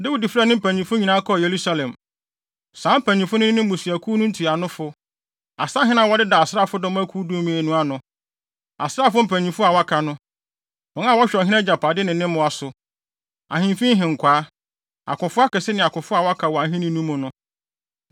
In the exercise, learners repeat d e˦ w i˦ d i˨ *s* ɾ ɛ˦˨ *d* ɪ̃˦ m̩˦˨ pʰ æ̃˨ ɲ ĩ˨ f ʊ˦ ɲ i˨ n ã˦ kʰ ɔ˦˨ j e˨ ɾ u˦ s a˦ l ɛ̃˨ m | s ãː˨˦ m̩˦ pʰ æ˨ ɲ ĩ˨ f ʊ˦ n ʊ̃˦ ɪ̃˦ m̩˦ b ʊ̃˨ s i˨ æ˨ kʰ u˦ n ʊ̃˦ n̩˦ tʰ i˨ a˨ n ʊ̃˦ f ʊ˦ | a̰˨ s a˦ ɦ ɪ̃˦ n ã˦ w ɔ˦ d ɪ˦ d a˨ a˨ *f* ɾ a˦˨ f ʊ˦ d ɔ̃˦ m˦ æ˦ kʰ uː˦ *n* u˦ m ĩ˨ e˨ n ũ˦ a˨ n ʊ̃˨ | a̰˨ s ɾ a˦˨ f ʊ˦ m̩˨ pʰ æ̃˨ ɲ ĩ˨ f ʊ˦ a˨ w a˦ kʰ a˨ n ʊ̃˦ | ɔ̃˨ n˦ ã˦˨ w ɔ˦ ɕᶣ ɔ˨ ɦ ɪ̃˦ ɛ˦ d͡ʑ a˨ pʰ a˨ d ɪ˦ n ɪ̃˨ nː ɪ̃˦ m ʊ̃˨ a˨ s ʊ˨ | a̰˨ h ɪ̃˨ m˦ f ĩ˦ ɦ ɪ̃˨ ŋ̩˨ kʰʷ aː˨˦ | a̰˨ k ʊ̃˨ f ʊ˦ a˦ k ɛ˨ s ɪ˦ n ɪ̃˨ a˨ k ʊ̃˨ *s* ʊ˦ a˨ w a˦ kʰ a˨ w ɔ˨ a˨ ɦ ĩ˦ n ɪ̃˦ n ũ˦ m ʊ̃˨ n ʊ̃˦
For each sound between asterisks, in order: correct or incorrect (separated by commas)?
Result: incorrect, incorrect, incorrect, incorrect, incorrect